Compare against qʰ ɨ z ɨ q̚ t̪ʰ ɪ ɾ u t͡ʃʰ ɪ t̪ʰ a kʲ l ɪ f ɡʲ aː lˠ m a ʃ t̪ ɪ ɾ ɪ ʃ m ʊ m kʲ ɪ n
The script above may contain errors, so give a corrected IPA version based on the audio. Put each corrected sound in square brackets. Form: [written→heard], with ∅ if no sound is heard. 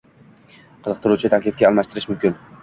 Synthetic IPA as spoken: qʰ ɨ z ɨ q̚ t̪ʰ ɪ ɾ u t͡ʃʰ ɪ t̪ʰ a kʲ l ɪ f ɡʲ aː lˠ m a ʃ t̪ ɪ ɾ ɪ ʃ m ʊ m kʲ ɪ n